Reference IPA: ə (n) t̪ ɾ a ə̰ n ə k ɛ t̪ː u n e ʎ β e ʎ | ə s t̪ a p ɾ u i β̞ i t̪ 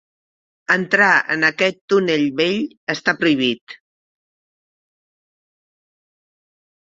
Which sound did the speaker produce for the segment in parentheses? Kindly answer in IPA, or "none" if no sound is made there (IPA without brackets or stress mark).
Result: n